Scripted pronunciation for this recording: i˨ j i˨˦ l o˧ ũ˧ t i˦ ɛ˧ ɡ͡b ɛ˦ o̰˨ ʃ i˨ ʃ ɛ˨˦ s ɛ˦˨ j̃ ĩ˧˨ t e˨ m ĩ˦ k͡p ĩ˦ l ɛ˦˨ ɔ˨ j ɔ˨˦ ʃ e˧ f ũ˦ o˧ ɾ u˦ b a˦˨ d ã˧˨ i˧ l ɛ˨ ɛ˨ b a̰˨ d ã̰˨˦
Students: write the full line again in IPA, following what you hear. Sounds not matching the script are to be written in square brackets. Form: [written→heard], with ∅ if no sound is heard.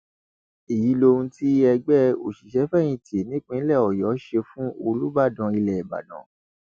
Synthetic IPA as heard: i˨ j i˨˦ l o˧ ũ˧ t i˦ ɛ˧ ɡ͡b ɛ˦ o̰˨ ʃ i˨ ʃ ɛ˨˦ [s→f] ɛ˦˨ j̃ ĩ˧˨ t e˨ [m→n] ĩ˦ k͡p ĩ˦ l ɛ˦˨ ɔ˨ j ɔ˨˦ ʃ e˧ f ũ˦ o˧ [ɾ→l] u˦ b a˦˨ d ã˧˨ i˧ l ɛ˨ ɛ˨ b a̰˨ d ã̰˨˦